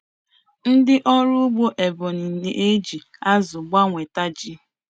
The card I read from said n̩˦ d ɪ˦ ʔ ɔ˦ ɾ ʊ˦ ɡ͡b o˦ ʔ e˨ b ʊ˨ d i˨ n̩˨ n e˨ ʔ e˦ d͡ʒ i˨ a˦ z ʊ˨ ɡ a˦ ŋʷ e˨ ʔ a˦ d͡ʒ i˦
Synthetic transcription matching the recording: n̩˦ d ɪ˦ ʔ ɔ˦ ɾ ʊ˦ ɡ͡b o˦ ʔ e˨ b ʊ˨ n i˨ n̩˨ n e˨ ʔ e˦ d͡ʒ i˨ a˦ z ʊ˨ ɡ͡b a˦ ŋʷ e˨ t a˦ d͡ʒ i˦